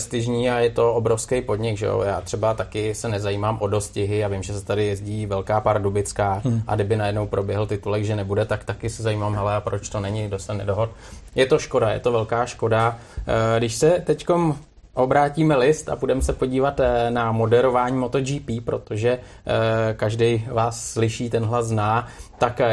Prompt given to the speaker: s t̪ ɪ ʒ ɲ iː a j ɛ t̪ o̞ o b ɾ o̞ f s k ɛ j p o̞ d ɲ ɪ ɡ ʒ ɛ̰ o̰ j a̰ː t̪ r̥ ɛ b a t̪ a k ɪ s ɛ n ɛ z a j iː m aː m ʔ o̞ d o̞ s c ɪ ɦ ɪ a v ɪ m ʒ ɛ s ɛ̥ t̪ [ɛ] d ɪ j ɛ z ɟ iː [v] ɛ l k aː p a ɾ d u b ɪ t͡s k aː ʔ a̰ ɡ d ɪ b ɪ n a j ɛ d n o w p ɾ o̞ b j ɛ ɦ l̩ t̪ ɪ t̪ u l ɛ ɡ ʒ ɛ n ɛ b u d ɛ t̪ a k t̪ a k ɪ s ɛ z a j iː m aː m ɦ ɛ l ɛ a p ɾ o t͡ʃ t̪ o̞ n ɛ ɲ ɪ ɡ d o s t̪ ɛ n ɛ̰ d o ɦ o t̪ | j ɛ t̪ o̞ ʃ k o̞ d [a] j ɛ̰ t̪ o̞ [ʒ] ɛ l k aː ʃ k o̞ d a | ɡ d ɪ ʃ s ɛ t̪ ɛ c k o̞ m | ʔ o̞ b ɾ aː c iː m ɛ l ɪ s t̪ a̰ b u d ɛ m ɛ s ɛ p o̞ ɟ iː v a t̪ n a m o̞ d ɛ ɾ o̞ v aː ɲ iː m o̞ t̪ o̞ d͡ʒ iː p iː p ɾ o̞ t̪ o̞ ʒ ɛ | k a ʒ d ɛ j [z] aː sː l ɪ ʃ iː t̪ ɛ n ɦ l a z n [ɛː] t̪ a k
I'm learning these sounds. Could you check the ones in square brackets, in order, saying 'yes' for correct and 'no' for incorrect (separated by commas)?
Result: no, yes, yes, no, no, no